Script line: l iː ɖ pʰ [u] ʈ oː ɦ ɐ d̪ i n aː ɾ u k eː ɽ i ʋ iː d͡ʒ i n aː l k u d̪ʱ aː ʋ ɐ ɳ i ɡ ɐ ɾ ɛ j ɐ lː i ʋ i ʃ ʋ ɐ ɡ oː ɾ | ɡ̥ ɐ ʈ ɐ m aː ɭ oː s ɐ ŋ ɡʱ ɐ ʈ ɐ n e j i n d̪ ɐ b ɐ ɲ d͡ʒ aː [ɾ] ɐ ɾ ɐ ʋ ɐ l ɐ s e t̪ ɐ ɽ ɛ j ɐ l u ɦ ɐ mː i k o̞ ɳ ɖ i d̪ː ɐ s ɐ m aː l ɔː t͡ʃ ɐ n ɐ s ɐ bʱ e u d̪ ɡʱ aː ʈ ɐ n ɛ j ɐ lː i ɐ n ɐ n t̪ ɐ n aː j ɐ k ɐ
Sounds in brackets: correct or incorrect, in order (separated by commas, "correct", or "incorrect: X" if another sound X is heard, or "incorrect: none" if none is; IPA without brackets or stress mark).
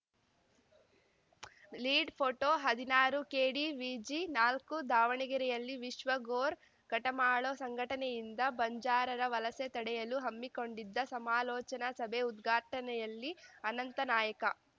incorrect: o, correct